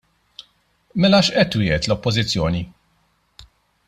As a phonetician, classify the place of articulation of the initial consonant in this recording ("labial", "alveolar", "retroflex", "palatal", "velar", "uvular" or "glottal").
labial